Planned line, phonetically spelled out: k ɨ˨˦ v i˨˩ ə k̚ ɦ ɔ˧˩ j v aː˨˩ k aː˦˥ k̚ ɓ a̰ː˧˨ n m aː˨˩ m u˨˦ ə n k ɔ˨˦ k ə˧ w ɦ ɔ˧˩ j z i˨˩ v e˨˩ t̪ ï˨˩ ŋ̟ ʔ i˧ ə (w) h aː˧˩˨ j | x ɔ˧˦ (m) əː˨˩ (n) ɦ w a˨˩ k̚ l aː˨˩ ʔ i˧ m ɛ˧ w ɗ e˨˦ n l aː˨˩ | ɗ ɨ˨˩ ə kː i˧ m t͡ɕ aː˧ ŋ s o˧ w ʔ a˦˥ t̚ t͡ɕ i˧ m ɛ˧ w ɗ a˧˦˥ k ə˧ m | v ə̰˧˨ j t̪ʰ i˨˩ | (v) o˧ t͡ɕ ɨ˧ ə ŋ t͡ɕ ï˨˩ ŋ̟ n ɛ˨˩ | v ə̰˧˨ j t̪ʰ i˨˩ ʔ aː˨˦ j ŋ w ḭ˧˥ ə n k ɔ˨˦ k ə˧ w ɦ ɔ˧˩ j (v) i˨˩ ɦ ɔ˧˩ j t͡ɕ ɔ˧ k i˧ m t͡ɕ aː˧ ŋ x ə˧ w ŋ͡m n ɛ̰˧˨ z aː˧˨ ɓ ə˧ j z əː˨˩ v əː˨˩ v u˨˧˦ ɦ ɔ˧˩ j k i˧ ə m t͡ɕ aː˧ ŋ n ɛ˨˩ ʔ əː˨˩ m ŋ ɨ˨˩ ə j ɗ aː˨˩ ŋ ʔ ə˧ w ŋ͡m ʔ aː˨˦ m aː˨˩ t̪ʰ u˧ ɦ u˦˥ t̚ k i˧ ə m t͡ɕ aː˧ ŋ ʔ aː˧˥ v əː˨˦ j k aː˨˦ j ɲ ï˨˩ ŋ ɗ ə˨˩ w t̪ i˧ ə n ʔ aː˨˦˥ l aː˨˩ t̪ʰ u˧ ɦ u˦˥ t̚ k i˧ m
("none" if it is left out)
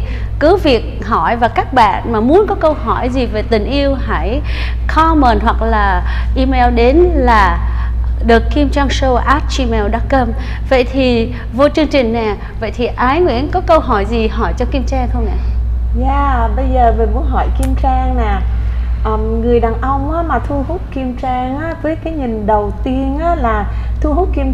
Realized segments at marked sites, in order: w, m, n, v, z

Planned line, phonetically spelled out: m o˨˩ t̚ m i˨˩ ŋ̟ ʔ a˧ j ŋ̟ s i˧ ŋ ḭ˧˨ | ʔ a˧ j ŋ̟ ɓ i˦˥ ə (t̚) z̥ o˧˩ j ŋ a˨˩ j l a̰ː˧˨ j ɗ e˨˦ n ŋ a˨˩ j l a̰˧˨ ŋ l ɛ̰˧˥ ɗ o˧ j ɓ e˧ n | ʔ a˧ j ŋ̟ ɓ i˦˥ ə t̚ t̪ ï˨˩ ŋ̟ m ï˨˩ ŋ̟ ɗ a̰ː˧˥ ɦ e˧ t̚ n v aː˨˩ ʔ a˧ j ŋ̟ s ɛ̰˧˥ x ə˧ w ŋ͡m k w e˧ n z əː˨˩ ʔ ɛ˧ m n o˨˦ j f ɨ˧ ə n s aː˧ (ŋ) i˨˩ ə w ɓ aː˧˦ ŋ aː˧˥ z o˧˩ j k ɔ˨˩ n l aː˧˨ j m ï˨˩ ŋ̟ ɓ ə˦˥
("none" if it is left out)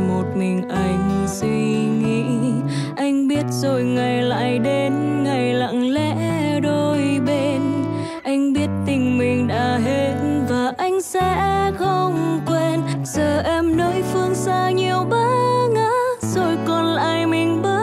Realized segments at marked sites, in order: t̚, ɲ

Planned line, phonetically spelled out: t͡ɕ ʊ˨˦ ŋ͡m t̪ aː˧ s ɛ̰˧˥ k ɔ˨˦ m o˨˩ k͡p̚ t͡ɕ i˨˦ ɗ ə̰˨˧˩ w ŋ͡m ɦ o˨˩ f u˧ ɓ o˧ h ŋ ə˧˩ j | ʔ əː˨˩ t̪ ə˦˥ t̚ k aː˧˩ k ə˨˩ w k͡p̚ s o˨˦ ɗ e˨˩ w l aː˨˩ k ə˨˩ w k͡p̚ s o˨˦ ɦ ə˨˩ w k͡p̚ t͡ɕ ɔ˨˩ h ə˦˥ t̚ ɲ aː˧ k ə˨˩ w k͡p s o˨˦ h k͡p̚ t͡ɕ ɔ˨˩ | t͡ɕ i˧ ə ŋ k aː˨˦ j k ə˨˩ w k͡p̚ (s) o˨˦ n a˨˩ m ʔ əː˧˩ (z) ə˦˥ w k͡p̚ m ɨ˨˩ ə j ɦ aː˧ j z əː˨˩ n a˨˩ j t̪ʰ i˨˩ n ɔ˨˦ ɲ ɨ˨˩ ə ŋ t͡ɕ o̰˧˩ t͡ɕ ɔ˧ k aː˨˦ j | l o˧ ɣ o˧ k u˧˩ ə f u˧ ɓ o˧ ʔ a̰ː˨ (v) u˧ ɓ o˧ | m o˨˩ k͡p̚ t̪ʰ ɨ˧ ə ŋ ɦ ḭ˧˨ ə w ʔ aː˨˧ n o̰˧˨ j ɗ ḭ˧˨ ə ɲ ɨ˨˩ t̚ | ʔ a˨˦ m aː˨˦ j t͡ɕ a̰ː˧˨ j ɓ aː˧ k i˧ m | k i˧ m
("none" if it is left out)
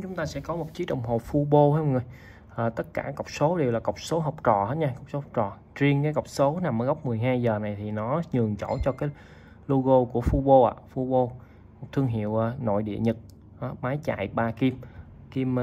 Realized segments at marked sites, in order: s, ɣ, f

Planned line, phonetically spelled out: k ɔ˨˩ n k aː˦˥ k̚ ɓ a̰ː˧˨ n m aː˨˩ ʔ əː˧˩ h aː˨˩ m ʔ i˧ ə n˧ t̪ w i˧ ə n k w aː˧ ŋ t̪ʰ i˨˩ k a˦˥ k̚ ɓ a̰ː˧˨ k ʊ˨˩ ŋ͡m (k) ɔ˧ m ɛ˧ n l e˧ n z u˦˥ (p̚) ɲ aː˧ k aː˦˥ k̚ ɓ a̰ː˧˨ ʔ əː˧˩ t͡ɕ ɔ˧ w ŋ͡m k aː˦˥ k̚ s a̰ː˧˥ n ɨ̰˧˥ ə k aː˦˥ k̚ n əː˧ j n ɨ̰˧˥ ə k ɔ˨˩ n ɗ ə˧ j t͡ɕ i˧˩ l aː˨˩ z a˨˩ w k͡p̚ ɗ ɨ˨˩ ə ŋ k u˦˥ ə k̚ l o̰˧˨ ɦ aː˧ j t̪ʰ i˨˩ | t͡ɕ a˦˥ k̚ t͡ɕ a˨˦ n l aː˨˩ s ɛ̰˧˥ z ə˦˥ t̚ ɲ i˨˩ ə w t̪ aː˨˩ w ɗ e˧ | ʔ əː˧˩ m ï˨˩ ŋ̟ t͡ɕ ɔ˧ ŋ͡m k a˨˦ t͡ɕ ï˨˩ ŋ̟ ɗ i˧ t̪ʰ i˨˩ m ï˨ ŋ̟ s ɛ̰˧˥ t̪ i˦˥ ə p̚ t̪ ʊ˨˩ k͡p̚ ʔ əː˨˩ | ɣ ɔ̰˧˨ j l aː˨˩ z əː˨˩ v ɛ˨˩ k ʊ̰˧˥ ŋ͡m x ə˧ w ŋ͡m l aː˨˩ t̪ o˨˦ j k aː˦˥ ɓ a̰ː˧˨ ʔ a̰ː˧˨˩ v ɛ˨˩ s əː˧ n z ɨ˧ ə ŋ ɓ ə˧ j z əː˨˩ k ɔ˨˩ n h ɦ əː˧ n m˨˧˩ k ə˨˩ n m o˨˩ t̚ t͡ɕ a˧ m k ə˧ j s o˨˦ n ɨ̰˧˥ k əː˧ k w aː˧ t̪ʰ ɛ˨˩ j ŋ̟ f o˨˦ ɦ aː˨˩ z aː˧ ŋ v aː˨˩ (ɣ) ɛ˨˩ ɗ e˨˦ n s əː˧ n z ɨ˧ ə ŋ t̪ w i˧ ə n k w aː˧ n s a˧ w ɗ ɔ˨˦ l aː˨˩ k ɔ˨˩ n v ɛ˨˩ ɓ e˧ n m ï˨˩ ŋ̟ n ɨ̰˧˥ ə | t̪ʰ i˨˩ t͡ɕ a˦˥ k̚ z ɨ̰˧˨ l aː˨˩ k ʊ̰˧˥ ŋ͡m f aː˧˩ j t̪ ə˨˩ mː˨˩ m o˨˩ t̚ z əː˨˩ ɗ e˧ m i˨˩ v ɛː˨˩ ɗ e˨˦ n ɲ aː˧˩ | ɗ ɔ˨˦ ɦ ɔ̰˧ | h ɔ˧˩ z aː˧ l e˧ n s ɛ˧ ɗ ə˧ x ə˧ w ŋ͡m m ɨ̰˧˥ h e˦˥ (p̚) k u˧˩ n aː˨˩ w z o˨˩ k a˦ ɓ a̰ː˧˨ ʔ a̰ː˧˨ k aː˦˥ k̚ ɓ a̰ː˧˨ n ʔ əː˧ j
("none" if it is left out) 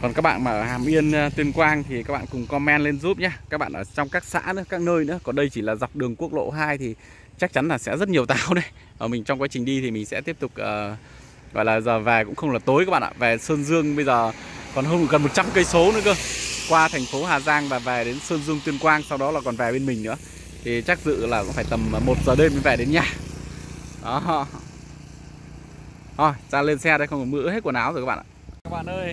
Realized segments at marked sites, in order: k, p̚, v, t̚

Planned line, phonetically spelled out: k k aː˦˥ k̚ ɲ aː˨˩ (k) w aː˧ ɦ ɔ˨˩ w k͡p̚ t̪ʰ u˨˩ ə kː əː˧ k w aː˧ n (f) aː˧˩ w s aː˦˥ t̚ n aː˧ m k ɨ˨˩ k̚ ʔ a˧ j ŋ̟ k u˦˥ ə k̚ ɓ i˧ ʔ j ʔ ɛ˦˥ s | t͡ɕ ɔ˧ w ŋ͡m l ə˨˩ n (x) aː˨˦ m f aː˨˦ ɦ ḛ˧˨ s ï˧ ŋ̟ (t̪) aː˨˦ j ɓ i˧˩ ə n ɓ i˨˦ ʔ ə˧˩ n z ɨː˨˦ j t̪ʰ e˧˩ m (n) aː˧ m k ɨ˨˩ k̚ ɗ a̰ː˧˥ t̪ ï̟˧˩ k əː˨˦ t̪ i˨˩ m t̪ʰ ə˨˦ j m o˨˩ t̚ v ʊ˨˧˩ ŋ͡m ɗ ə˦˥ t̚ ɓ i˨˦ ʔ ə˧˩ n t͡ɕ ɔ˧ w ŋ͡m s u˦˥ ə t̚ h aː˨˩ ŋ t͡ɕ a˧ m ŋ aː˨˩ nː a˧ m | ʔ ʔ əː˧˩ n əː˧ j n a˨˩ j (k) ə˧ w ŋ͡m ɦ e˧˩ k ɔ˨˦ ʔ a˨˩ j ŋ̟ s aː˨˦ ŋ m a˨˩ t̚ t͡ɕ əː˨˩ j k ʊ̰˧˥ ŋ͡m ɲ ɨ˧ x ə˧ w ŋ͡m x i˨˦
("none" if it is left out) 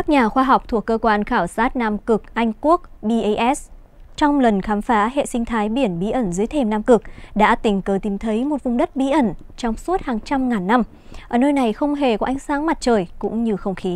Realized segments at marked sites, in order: x, x, x, t̪ʰ, n, x

